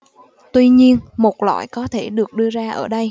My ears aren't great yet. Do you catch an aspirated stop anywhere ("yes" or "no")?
yes